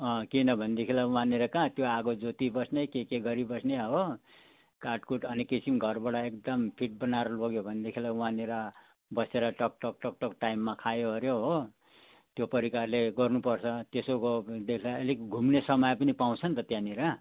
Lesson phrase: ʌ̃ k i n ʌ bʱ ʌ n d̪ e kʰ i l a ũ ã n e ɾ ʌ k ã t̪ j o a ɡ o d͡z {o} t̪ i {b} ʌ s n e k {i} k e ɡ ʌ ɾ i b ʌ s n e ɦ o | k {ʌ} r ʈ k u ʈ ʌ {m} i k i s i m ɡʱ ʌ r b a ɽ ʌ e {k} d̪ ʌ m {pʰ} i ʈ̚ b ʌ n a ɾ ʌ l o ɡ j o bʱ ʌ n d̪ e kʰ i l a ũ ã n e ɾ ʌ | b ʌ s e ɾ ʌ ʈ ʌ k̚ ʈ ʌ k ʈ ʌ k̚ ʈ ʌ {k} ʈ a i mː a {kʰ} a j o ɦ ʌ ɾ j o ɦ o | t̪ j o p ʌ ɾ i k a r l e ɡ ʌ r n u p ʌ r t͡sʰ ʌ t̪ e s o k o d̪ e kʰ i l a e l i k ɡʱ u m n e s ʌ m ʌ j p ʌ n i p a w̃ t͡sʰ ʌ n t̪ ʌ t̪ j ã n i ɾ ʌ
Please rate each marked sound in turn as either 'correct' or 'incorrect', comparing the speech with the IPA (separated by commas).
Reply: correct, correct, incorrect, incorrect, incorrect, correct, correct, correct, correct